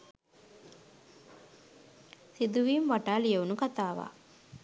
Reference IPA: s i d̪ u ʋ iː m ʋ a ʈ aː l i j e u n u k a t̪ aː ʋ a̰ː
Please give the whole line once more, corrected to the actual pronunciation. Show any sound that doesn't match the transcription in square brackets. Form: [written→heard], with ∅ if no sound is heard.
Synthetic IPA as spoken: s i d̪ u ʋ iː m ʋ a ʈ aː l i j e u n u k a t̪ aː ʋ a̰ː